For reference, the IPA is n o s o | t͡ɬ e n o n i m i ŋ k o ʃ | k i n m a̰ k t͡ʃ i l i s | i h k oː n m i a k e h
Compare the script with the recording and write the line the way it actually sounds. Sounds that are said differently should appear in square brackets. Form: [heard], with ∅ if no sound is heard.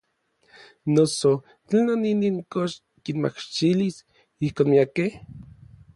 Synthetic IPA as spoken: n o s o | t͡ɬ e n o n i [n] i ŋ k o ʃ | k i n m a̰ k t͡ʃ i l i s | i h k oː n m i a k e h